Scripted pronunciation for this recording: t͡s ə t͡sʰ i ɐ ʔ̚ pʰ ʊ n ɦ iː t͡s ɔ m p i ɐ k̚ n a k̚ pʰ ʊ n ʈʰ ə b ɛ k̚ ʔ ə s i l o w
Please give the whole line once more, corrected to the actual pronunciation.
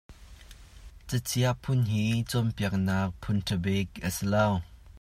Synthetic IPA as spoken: t͡s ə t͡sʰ i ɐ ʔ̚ pʰ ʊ n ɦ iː t͡s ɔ m p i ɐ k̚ n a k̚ pʰ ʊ n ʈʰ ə b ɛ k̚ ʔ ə s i l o w